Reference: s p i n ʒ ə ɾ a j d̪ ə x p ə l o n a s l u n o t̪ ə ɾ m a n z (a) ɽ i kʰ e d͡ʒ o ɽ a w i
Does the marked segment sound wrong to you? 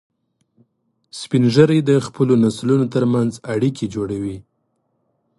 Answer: no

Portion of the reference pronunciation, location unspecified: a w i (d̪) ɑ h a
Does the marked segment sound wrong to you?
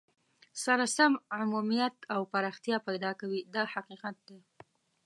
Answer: no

